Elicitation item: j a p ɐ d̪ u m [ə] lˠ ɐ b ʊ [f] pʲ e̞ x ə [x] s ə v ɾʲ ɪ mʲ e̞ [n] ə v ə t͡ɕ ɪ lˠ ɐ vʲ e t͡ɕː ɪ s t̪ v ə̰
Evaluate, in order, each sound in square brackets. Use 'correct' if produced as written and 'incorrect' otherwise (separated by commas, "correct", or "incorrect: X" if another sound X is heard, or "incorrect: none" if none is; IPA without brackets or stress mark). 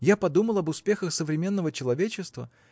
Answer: correct, incorrect: s, correct, incorrect: nː